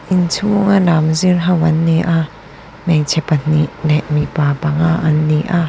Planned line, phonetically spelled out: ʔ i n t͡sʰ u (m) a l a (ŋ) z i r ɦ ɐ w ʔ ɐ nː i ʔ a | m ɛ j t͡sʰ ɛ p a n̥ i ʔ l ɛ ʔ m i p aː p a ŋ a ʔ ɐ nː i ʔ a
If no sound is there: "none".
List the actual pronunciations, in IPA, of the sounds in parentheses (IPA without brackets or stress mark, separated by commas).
ŋ, m